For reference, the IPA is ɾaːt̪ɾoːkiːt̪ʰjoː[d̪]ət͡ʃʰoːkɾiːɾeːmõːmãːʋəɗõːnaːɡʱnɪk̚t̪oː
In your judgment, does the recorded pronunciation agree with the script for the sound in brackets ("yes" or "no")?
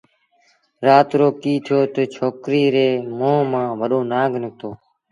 no